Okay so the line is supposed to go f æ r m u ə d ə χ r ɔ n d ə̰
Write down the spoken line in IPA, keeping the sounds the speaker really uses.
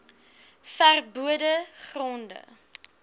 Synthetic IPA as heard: f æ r b u ə d ə χ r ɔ n d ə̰